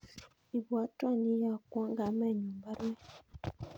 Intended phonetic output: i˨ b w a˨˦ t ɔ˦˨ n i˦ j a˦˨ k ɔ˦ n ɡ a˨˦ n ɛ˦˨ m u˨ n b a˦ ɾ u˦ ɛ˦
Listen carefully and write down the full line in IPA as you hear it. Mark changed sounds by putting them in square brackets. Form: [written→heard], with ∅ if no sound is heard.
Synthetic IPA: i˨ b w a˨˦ t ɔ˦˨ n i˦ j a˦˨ k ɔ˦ [n→ŋ] ɡ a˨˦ [n→m] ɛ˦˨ [m→ɲ] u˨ [n→m] b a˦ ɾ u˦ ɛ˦